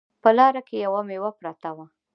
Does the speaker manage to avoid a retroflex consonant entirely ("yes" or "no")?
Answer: yes